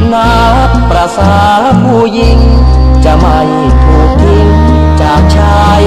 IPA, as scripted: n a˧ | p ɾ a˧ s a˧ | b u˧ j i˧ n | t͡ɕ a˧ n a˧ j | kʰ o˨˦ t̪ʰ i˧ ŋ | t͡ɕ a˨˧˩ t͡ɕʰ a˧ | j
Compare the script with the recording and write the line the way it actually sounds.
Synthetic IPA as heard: n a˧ | p ɾ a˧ s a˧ | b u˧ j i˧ ŋ | t͡ɕ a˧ m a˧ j | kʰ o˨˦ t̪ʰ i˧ ŋ | t͡ɕ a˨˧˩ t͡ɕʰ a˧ | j